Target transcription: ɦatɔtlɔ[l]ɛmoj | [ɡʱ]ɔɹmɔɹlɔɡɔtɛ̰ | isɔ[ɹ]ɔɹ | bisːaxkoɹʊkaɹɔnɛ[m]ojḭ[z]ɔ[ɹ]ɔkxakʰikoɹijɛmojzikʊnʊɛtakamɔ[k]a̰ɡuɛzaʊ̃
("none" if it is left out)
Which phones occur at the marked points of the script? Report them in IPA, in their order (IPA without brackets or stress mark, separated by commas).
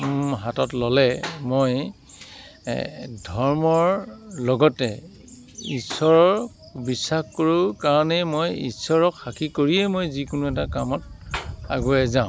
l, dʱ, ɹ, m, s, ɹ, t